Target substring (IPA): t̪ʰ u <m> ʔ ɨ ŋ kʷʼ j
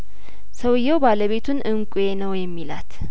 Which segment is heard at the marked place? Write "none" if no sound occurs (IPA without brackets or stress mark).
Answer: n